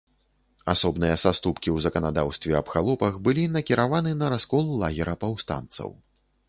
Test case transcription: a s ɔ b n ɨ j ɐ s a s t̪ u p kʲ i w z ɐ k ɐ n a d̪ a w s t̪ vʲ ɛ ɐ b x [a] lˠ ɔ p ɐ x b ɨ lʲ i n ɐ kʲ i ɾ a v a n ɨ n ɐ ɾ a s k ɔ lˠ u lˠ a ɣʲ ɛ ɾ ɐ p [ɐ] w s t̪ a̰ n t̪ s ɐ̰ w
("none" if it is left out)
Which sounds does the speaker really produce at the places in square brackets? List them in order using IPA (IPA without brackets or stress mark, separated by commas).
a, a